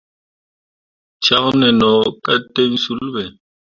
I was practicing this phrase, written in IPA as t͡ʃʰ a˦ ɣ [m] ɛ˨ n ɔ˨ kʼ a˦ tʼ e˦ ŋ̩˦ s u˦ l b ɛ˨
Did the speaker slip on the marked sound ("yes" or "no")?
yes